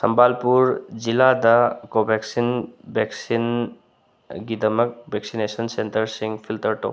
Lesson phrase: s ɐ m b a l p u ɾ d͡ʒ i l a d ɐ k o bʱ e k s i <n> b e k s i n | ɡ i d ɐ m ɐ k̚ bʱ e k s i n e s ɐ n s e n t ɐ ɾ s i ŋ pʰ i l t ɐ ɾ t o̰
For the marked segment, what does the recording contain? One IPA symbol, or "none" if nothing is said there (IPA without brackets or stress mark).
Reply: n